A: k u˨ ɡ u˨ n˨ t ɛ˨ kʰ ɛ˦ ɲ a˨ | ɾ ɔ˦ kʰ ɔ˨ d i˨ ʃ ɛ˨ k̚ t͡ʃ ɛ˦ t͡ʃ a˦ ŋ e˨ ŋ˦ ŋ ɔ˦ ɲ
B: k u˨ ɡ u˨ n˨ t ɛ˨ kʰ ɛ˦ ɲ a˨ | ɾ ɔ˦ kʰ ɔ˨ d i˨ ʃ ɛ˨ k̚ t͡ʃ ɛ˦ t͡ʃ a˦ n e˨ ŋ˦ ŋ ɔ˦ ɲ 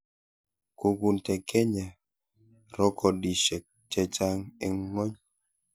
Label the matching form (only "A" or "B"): A